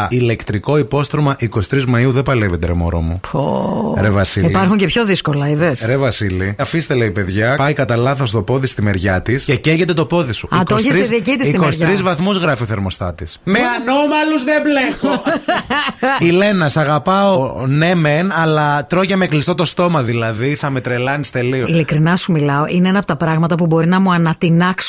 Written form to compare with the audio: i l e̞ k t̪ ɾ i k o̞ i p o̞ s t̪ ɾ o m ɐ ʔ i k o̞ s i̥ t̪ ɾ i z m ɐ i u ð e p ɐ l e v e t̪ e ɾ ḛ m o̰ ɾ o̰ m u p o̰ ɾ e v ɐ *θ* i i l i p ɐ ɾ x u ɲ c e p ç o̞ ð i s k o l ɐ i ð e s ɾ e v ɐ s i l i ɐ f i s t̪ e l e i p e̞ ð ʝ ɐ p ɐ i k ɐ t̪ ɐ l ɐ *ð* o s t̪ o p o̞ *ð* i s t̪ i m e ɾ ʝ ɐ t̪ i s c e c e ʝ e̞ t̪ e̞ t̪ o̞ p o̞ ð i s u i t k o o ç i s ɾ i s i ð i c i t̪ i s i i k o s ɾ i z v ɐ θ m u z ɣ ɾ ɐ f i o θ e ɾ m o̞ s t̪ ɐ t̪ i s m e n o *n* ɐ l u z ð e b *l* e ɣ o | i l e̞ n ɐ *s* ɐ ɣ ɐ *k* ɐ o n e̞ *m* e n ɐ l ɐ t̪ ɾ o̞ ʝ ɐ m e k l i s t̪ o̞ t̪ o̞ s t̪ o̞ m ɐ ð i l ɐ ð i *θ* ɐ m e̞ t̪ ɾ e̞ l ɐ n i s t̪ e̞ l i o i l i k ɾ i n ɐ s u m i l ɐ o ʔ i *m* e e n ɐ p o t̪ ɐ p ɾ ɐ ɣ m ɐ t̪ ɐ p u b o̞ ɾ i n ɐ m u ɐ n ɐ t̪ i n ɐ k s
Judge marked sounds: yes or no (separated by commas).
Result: no, no, yes, no, yes, yes, no, yes, yes, no